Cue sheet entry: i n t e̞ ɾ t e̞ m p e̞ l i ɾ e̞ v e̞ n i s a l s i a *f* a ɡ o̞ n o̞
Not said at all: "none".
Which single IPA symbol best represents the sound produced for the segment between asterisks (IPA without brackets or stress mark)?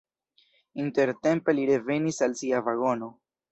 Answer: v